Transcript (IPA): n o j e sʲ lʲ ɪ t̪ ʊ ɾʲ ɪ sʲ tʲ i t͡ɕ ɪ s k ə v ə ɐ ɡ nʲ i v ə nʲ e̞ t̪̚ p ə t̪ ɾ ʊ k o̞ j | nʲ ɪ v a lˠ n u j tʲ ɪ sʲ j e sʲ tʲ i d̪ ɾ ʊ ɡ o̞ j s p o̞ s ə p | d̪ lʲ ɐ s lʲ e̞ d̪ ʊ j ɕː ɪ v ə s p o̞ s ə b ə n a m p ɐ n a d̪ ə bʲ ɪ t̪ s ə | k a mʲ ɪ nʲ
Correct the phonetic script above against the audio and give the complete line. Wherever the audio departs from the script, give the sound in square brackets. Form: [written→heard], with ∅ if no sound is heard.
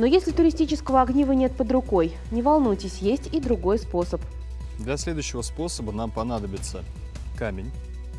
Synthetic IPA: n o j e sʲ lʲ ɪ t̪ ʊ ɾʲ ɪ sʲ tʲ i t͡ɕ ɪ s k ə v ə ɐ ɡ nʲ i v ə nʲ e̞ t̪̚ p ə [t̪→d̪] ɾ ʊ k o̞ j | nʲ ɪ v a lˠ n u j tʲ ɪ sʲ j e sʲ tʲ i d̪ ɾ ʊ ɡ o̞ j s p o̞ s ə p | d̪ lʲ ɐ s lʲ e̞ d̪ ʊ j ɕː ɪ v ə s p o̞ s ə b ə n a m p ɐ n a d̪ ə bʲ ɪ t̪ s ə | k a mʲ ɪ nʲ